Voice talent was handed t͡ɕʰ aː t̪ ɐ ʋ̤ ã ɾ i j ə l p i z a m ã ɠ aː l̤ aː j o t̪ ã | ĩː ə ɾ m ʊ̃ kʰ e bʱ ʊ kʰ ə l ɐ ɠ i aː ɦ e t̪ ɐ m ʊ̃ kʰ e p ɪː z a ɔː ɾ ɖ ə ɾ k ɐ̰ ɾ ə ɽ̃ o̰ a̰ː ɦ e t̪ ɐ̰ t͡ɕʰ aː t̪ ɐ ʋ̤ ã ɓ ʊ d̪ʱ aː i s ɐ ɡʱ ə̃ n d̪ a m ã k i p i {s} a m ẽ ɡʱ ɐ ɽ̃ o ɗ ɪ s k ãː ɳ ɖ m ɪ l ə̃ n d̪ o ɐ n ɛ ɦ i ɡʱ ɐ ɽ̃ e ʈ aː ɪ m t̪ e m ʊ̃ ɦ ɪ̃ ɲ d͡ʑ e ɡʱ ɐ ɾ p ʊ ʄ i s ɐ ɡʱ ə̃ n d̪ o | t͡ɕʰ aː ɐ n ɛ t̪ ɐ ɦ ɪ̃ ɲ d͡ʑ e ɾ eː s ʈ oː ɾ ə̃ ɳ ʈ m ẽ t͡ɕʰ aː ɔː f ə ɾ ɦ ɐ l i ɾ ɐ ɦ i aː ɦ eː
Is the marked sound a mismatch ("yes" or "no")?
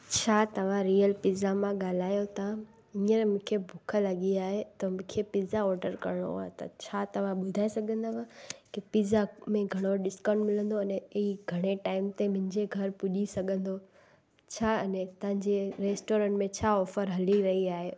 yes